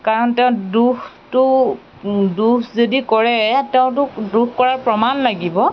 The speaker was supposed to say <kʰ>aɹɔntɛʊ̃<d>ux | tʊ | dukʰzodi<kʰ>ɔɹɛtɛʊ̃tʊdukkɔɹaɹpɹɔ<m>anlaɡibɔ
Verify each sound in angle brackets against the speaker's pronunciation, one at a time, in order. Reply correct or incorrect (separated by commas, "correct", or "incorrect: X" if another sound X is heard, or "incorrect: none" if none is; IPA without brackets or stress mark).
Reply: incorrect: k, correct, incorrect: k, correct